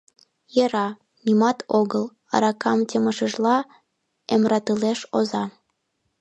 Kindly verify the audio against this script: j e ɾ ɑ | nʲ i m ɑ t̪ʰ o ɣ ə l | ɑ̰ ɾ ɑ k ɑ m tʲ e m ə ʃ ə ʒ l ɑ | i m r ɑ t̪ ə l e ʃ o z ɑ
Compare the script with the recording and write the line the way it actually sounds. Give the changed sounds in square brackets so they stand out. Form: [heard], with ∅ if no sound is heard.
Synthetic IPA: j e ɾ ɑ | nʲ i m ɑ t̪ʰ o ɣ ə l | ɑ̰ ɾ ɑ k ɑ m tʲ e m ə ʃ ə ʒ l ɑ | [e] m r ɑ t̪ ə l e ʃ o z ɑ